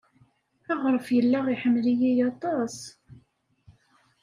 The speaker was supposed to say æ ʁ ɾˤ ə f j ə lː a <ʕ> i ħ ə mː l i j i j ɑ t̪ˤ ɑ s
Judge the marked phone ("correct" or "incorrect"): incorrect